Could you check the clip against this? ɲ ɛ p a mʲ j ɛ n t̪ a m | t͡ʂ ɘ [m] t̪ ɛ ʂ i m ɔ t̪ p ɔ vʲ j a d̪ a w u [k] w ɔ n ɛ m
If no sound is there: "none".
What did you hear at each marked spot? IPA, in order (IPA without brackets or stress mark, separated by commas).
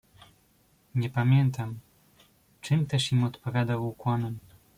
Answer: m, k